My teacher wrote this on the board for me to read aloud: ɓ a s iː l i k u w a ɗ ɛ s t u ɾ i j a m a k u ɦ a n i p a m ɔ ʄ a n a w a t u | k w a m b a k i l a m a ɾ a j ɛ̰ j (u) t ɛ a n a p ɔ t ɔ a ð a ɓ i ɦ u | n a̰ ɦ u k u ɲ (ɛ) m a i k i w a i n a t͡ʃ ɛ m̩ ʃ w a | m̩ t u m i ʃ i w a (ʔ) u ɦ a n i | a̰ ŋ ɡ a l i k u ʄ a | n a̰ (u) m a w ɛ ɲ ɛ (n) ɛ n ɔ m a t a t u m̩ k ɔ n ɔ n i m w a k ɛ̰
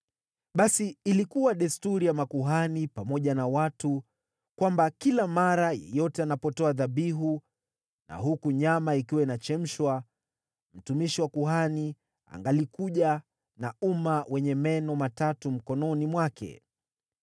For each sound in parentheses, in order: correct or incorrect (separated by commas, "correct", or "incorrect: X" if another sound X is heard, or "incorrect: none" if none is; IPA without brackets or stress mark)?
incorrect: ɔ, incorrect: a, incorrect: k, correct, incorrect: m